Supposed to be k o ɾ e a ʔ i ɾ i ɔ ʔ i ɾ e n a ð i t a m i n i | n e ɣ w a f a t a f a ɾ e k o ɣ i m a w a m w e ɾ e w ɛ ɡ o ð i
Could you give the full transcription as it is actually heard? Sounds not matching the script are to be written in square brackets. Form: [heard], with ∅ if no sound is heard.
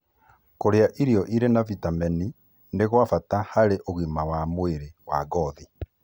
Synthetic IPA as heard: k o ɾ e a ʔ i ɾ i ɔ ʔ i ɾ e n a [v] i t a m [ɛ] n i | n e ɣ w a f a t a [h] a ɾ e [ʔ] o ɣ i m a w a m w e ɾ e w [a] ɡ [ɔ] ð i